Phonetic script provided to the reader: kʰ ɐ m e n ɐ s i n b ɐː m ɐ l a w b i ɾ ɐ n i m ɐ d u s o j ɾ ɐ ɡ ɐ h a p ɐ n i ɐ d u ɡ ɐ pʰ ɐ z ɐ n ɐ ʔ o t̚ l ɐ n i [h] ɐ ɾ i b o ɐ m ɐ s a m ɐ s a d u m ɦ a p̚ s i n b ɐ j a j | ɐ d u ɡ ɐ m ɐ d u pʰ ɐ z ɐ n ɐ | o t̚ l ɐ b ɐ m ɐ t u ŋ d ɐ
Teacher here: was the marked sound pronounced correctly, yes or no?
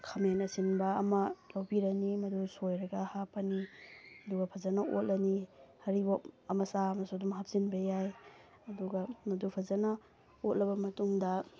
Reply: yes